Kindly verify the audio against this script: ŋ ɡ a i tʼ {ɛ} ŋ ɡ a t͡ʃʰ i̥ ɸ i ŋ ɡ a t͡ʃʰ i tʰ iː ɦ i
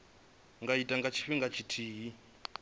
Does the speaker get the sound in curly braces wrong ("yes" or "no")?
yes